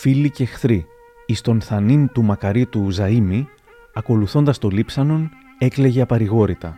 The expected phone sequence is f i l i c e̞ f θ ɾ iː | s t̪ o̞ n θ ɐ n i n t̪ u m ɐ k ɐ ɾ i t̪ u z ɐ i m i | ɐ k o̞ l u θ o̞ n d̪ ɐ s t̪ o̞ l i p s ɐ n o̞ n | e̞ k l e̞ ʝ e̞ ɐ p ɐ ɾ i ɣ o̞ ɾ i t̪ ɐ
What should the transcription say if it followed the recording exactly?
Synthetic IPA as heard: f i l i c e̞ x θ ɾ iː | s t̪ o̞ n θ ɐ n i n t̪ u m ɐ k ɐ ɾ i t̪ u z ɐ i m i | ɐ k o̞ l u θ o̞ n d̪ ɐ s t̪ o̞ l i p s ɐ n o̞ n | e̞ k l e̞ ʝ e̞ ɐ p ɐ ɾ i ɣ o̞ ɾ i t̪ ɐ